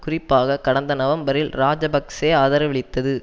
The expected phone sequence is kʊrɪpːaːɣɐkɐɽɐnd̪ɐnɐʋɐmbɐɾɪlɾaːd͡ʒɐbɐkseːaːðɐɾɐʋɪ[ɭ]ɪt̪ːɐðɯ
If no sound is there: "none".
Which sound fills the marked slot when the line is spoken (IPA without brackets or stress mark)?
ɭ